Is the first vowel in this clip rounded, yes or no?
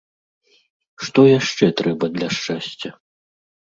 yes